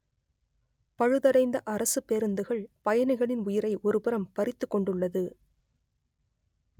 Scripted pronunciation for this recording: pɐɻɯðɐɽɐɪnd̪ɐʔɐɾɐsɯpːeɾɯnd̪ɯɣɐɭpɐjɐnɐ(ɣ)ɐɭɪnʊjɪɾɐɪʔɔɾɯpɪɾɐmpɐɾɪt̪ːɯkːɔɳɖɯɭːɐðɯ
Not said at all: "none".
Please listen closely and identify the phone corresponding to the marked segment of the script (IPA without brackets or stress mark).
ɣ